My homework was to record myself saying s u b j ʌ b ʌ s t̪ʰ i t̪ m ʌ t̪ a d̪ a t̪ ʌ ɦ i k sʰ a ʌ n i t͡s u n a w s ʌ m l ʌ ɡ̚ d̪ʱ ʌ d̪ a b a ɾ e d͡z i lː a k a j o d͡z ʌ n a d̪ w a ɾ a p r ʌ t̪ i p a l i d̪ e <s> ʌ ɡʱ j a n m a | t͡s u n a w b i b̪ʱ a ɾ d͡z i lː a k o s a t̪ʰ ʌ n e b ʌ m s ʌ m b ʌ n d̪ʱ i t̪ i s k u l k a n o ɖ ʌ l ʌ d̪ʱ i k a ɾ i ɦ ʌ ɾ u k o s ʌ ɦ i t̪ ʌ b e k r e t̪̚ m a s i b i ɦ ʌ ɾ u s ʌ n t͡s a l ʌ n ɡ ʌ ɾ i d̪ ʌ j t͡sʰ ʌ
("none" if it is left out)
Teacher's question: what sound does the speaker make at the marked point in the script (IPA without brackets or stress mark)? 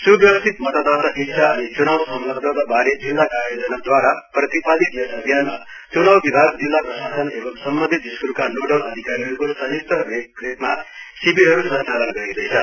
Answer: s